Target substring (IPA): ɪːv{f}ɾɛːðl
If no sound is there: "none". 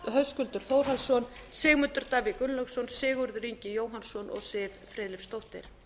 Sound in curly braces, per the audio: f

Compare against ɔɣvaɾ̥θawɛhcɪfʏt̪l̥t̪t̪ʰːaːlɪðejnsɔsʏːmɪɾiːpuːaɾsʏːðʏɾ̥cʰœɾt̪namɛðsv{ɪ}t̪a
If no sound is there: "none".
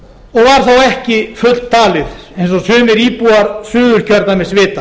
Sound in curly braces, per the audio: ɪː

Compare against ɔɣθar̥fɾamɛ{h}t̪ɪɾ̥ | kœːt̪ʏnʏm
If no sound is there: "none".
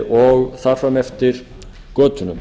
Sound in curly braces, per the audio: f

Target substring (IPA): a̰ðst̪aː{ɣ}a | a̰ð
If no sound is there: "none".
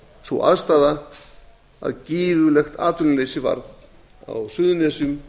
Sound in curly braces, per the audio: ð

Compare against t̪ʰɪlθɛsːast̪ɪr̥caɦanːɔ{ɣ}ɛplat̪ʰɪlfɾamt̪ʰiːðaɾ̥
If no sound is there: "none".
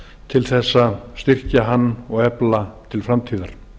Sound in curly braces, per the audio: ɣ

